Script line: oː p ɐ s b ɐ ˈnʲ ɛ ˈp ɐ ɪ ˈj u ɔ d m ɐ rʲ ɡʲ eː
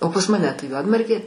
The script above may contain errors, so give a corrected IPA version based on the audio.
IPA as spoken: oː p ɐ s m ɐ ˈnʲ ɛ ˈt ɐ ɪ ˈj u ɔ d m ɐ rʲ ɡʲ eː